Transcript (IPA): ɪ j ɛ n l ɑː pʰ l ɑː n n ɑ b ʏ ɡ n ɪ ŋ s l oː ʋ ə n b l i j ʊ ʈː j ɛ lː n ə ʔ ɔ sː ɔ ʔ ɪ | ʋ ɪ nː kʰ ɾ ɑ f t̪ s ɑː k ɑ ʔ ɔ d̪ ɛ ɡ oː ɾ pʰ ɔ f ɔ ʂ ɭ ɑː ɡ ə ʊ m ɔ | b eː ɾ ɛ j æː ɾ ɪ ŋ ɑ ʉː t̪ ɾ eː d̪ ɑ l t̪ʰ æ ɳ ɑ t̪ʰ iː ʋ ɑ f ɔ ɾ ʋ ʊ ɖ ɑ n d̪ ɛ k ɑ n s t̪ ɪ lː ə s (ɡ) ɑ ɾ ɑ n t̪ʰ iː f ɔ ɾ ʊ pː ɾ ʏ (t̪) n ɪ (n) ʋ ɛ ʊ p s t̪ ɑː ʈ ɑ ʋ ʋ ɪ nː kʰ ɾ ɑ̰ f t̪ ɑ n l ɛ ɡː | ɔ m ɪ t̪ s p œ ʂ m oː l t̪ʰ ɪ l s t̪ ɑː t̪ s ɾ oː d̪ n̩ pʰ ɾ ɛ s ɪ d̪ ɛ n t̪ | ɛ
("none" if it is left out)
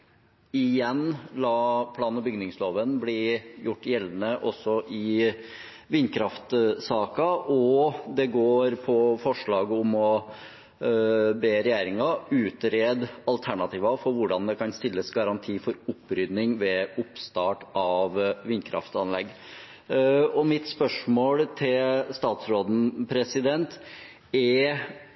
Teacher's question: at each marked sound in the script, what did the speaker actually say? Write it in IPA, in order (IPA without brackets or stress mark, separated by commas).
ɡ, d̪, ŋ